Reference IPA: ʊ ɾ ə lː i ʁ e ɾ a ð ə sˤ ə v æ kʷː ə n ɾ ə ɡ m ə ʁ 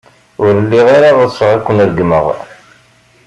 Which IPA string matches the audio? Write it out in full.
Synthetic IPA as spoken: ʊ ɾ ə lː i ʁ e ɾ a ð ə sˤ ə ʁ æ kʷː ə n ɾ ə ɡ m ə ʁ